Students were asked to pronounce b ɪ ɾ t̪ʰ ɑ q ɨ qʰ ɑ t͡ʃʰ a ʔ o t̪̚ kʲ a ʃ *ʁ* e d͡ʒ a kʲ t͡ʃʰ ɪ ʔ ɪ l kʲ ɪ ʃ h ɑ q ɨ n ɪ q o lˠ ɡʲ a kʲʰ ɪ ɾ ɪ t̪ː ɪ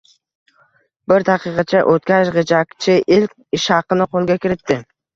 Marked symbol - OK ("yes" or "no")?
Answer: yes